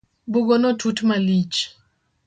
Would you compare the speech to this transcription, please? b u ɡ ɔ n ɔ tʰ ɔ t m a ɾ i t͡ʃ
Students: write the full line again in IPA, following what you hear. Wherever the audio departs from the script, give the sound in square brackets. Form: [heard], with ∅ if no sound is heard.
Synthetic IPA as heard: b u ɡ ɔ n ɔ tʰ [u] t m a [l] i t͡ʃ